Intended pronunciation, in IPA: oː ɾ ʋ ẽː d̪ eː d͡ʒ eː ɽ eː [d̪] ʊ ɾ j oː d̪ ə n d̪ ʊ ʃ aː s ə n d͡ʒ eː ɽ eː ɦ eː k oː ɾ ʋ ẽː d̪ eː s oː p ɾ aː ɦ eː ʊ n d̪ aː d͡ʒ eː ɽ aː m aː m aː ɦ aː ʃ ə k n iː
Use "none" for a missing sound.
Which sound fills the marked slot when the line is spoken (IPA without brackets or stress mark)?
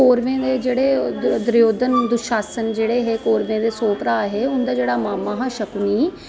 d̪